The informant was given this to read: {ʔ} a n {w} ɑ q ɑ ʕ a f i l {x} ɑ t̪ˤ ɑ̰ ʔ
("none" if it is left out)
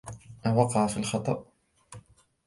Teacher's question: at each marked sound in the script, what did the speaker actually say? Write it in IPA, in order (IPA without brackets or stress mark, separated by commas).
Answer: ʔ, w, x